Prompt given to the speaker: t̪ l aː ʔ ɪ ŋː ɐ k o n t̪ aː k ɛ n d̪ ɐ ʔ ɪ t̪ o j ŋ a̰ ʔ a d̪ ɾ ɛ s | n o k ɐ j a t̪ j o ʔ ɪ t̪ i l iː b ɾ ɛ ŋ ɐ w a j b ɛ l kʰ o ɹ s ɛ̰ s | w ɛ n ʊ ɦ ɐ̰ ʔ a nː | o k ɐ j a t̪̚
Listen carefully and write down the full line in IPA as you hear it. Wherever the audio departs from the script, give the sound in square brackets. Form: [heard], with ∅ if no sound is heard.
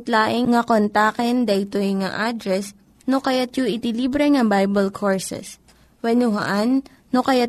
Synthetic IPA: t̪ l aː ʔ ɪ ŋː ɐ k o n t̪ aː k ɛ n d̪ ɐ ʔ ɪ t̪ o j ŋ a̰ ʔ a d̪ ɾ ɛ s | n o k ɐ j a t̪ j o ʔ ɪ t̪ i l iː b ɾ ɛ ŋ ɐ [b] a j b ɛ l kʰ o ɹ s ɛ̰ s | w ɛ n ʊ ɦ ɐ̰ ʔ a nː | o k ɐ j a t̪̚